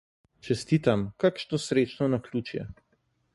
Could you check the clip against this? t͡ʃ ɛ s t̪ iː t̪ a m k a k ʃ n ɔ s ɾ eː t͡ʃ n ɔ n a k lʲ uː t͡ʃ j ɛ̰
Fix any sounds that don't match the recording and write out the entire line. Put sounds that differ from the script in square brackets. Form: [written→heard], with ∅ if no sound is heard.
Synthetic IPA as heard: t͡ʃ ɛ s t̪ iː t̪ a m k a k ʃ n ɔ s ɾ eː t͡ʃ n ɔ n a k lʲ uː t͡ʃ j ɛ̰